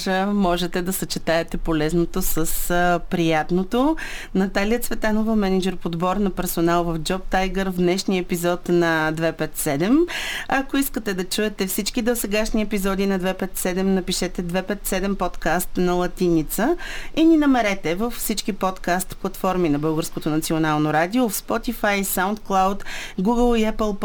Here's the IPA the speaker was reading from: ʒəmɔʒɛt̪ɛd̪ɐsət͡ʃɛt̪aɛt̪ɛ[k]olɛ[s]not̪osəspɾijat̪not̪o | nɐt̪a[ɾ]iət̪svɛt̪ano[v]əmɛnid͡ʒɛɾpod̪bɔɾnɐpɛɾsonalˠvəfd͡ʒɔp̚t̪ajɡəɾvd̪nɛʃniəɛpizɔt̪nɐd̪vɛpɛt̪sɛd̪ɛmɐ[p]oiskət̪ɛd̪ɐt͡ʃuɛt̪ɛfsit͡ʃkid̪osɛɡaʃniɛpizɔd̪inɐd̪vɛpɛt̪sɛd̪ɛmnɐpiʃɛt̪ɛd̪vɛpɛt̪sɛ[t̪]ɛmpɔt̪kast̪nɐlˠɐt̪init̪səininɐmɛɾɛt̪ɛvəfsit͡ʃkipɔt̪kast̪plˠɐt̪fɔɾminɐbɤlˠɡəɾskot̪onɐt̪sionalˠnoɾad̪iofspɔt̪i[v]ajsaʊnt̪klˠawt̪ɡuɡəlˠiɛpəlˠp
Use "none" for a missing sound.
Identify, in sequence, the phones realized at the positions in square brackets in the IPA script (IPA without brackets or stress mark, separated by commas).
p, z, l, v, k, d̪, f